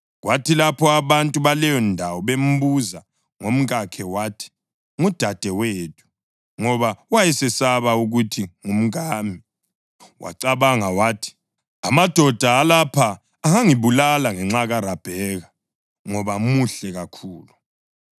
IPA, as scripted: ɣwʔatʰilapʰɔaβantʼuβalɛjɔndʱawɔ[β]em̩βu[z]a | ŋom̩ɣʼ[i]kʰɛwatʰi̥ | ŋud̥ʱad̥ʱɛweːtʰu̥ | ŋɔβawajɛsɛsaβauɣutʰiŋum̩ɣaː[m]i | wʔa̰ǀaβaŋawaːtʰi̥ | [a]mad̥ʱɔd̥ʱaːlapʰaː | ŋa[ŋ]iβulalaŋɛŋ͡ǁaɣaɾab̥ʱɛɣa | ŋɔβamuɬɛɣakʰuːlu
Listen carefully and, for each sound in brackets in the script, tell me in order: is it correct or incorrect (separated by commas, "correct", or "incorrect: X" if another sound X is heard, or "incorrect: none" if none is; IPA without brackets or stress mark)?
correct, correct, incorrect: a, correct, correct, correct